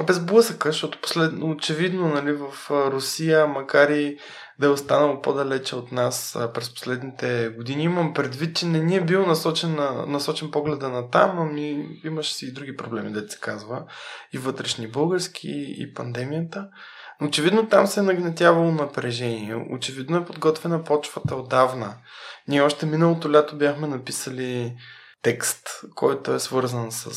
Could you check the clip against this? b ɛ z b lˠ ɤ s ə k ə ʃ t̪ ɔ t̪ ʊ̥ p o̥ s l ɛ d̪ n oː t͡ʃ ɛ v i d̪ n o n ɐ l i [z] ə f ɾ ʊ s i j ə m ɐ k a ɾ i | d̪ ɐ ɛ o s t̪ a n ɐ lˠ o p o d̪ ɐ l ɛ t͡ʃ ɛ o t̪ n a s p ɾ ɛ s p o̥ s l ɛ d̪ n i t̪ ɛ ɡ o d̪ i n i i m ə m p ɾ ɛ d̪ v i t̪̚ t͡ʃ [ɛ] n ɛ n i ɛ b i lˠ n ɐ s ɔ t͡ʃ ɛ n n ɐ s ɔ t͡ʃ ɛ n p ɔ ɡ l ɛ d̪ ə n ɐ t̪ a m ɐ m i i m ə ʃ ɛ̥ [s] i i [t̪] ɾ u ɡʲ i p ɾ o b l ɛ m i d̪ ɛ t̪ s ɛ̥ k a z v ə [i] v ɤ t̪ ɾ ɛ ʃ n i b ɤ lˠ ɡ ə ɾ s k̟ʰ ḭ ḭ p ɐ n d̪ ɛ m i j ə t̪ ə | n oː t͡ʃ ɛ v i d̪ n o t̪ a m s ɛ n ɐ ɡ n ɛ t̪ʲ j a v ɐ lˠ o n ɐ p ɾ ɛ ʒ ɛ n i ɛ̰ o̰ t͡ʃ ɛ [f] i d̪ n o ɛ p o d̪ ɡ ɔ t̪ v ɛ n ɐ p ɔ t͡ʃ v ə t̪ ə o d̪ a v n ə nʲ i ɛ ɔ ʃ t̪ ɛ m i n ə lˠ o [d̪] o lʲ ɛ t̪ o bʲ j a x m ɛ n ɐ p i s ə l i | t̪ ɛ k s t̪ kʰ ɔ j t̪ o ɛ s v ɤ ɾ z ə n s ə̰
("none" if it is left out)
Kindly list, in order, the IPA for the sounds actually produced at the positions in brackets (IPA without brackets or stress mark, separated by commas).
v, ɛ, s, d̪, i, v, t̪